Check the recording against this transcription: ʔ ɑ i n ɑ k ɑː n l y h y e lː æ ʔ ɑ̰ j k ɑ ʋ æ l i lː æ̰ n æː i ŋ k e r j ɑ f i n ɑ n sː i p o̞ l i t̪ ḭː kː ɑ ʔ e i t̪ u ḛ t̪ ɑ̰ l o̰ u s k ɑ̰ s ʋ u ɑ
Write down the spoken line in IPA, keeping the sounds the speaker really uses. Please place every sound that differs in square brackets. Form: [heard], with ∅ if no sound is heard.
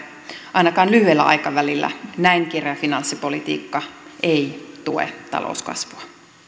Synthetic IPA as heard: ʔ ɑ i n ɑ k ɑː n l y h y e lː æ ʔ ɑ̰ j k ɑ ʋ æ l i lː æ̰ n [æ] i ŋ k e r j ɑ f i n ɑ n sː i p o̞ l i t̪ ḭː kː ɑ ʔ e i t̪ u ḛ t̪ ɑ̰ l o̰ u s k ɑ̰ s ʋ u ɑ